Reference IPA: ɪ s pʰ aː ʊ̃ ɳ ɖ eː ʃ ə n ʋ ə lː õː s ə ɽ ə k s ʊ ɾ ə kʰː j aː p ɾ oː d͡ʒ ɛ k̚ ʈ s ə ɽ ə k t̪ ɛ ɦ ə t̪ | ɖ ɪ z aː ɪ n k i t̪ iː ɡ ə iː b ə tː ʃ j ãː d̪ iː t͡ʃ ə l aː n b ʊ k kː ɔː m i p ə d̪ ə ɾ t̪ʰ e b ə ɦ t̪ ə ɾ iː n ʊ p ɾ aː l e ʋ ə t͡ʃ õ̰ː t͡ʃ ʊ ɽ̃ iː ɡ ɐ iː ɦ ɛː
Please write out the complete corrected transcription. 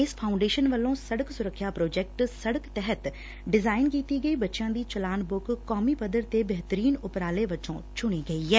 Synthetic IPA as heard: ɪ s pʰ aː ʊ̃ ɳ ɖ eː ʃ ə n ʋ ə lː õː s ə ɽ ə k s ʊ ɾ ə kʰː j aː p ɾ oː d͡ʒ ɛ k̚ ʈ s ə ɽ ə k t̪ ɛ ɦ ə t̪ | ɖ ɪ z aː ɪ n k iː t̪ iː ɡ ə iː b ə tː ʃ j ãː d̪ iː t͡ʃ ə l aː n b ʊ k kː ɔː m i p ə d̪ ə ɾ t̪ e b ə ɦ t̪ ə ɾ iː n ʊ p ɾ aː l e ʋ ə t͡ʃ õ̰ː t͡ʃ ʊ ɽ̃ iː ɡ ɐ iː ɦ ɛː